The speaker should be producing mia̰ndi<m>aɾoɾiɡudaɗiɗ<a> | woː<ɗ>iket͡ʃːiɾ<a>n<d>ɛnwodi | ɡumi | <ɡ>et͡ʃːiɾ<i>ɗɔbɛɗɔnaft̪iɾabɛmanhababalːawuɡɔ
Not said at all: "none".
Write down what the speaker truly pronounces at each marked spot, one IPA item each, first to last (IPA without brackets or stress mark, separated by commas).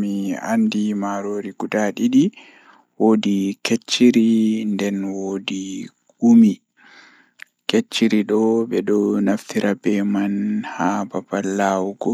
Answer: m, i, d, i, d, k, i